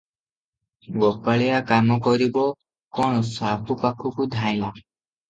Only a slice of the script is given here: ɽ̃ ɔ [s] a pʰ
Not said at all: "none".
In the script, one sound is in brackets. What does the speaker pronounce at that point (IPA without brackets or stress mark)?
s